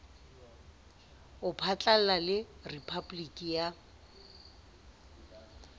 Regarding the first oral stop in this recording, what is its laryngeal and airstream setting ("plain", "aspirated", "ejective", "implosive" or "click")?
aspirated